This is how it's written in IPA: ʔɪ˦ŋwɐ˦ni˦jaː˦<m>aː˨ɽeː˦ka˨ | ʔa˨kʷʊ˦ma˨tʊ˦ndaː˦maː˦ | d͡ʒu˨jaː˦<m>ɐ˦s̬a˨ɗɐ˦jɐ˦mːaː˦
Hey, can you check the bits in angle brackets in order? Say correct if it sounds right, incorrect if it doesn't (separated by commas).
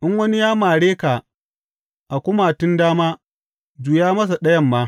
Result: correct, correct